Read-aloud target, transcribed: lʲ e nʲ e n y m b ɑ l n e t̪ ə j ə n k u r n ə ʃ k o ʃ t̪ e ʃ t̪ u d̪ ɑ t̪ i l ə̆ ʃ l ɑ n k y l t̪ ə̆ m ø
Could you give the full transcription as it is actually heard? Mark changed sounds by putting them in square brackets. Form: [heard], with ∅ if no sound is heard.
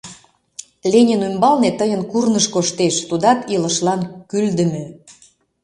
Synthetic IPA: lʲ e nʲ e n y m b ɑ l n e t̪ ə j ə n k u r n ə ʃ k o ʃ t̪ e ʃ t̪ u d̪ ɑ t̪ i l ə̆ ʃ l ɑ n k y l [d̪] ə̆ m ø